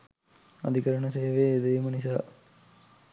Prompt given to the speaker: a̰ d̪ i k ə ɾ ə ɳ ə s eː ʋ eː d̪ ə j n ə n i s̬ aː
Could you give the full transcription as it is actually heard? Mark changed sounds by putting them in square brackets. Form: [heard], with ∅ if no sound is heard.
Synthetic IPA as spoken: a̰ d̪ i k ə ɾ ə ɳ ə s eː ʋ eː d̪ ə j [m] ə n i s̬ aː